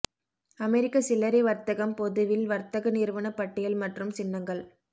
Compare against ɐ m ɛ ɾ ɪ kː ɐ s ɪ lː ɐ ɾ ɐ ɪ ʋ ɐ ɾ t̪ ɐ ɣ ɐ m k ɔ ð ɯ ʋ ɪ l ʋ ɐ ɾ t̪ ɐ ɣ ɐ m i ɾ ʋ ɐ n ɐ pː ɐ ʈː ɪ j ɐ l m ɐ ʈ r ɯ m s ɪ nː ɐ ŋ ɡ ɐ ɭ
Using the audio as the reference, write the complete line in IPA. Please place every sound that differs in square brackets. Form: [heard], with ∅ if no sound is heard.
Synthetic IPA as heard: ɐ m ɛ ɾ ɪ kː ɐ s ɪ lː ɐ ɾ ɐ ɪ ʋ ɐ ɾ t̪ ɐ ɣ ɐ m [p] ɔ ð ɯ ʋ ɪ l ʋ ɐ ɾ t̪ ɐ ɣ ɐ [n] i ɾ ʋ ɐ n ɐ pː ɐ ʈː ɪ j ɐ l m ɐ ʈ r ɯ m s ɪ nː ɐ ŋ ɡ ɐ ɭ